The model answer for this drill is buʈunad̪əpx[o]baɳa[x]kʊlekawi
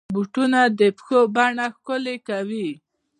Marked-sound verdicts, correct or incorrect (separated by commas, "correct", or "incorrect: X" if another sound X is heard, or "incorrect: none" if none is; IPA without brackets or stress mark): correct, correct